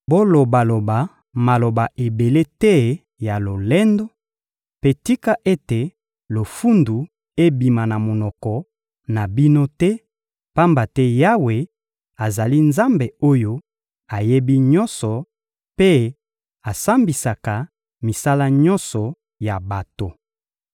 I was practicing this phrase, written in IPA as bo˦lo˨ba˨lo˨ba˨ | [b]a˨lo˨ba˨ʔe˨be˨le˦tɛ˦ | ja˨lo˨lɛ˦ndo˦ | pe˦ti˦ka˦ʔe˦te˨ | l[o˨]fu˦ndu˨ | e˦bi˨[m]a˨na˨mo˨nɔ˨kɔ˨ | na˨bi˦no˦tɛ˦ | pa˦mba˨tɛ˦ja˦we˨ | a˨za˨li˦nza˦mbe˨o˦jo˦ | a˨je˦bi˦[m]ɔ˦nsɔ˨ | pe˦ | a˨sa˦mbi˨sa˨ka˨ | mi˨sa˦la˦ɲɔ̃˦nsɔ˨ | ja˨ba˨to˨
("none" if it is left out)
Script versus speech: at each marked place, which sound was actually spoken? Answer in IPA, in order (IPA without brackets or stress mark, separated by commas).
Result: m, o˨, m, ɲ